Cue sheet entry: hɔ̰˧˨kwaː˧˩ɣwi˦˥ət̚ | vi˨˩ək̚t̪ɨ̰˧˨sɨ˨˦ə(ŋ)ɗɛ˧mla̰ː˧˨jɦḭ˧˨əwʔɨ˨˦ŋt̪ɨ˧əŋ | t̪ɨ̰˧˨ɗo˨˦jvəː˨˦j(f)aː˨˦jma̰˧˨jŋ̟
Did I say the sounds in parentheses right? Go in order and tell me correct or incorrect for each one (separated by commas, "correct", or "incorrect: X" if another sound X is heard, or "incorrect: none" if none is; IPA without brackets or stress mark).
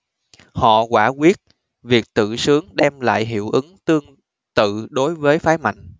correct, correct